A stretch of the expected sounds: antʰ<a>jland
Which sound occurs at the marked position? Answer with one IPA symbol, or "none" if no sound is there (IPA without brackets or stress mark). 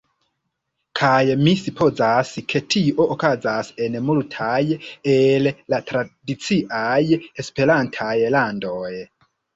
a